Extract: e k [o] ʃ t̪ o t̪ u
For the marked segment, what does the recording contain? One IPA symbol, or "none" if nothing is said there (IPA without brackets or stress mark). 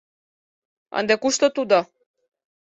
u